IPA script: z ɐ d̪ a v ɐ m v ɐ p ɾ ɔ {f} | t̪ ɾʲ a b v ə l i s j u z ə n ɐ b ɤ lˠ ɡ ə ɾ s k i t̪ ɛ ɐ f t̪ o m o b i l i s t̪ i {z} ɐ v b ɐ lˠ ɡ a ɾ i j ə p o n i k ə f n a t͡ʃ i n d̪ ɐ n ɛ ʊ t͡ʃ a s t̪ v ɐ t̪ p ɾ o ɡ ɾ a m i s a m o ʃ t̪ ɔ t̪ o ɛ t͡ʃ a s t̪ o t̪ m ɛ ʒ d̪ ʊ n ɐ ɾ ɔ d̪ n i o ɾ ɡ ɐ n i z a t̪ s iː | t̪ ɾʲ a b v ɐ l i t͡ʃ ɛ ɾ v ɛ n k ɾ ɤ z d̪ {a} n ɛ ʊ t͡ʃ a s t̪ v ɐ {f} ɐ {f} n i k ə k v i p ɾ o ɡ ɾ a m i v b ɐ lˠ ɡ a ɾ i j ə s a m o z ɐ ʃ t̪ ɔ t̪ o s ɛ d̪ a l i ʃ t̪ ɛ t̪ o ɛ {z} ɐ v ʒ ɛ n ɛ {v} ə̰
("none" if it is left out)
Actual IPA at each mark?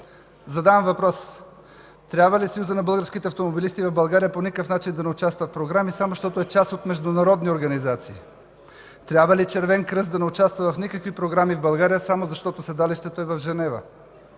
s, v, ɐ, v, f, v, v

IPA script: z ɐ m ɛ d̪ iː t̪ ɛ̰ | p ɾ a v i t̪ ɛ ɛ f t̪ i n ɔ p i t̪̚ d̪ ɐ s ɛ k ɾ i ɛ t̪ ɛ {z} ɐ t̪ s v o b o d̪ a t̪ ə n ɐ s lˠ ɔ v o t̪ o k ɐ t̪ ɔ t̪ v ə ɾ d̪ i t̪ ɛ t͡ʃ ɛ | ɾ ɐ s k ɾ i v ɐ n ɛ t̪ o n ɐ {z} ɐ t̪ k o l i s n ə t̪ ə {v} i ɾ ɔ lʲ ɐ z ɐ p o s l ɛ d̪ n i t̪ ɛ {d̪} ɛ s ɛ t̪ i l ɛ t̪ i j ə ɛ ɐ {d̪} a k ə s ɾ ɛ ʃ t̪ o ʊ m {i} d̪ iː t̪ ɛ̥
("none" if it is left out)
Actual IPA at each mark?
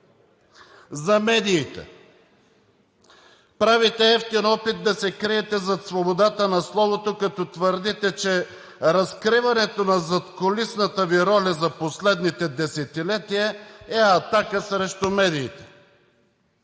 z, z, v, d̪, t̪, ɛ

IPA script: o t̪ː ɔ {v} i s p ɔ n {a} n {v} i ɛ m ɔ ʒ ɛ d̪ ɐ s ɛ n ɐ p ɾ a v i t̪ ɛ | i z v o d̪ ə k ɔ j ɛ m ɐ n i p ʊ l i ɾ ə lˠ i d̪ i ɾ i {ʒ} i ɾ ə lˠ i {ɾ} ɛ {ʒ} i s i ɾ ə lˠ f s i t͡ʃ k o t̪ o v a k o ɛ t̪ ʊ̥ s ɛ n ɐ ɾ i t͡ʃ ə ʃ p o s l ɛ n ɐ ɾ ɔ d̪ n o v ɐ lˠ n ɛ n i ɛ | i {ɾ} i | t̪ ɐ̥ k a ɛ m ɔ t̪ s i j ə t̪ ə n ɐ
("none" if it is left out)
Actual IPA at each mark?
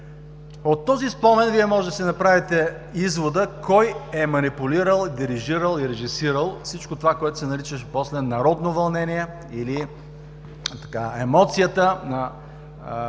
z, ɛ, v, ʒ, ɾ, ʒ, l

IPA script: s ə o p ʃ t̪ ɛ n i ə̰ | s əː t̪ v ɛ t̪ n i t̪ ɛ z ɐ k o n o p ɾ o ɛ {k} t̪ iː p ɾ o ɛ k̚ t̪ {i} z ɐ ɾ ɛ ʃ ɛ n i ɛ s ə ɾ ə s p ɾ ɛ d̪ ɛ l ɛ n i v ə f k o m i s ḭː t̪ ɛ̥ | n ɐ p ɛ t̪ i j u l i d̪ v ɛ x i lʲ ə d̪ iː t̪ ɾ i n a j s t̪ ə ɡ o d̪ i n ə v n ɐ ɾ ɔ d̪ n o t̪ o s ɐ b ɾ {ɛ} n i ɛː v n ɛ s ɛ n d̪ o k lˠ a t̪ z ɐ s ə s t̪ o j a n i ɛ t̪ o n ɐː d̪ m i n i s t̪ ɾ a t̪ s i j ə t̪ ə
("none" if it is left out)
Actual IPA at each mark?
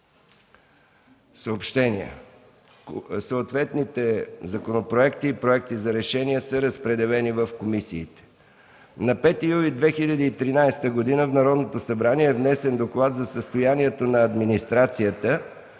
k, i, a

